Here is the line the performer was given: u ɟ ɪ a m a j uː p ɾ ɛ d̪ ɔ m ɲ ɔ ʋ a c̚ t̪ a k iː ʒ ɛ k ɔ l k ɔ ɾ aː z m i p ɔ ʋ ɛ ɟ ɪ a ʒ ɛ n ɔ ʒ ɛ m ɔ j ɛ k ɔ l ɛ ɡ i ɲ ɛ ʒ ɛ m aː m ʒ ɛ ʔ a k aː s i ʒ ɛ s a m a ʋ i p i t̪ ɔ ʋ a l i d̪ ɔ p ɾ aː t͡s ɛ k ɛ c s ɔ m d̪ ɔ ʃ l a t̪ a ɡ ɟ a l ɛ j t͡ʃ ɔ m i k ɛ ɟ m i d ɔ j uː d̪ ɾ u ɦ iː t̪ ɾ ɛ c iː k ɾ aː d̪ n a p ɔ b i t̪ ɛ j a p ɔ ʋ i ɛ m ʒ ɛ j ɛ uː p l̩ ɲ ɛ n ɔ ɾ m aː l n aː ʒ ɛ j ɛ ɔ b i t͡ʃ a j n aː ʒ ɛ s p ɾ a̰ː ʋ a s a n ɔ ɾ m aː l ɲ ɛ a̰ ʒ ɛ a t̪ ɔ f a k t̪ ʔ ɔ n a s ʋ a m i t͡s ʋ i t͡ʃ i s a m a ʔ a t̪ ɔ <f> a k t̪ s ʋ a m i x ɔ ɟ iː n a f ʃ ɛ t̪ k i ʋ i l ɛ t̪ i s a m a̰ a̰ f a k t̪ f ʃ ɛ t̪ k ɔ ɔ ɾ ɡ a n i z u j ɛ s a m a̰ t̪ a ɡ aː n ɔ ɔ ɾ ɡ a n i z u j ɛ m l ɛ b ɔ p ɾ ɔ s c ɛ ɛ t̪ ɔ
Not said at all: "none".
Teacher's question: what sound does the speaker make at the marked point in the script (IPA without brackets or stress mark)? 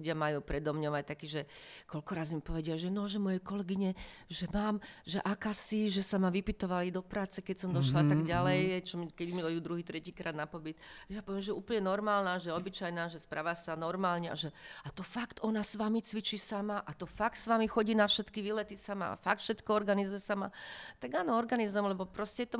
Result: f